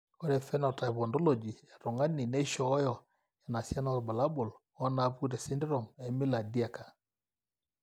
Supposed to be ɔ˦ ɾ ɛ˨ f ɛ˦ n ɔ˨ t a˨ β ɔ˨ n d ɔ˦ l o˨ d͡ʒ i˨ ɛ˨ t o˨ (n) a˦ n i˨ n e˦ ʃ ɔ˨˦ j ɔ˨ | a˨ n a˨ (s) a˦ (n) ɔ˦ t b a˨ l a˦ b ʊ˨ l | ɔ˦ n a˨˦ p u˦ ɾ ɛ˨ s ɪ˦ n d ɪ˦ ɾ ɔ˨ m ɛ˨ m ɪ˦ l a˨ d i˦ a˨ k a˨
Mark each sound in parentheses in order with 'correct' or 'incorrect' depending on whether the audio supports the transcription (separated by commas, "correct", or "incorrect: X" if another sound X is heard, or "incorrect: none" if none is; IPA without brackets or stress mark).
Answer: incorrect: ŋ, correct, correct